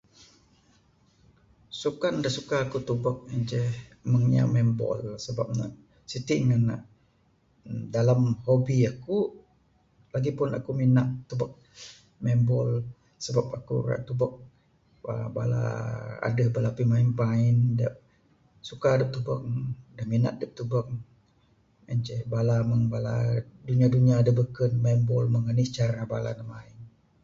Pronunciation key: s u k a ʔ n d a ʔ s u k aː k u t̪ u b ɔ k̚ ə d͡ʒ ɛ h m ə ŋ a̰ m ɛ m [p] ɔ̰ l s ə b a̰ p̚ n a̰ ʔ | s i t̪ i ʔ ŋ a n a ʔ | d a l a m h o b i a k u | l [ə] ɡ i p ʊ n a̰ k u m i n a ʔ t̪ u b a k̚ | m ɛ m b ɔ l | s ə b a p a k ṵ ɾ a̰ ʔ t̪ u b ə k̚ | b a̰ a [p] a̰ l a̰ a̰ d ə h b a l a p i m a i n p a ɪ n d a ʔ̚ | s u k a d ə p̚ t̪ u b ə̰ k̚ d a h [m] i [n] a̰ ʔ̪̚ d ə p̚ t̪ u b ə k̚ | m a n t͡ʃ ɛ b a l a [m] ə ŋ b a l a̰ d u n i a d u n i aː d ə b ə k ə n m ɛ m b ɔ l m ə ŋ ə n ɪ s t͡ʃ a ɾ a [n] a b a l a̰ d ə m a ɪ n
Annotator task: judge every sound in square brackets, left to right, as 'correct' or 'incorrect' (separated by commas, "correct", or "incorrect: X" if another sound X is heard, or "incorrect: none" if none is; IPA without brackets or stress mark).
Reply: incorrect: b, incorrect: a, incorrect: b, correct, correct, correct, correct